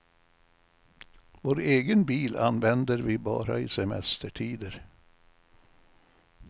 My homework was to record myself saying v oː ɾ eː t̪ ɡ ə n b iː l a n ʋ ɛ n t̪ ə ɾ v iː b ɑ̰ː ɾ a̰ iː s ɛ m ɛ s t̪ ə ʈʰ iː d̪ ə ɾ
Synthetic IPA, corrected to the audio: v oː ɾ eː ɡ ə n b iː l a n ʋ ɛ n d̪ ə ɾ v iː b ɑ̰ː ɾ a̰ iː s ɛ m ɛ s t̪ ə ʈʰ iː d̪ ə ɾ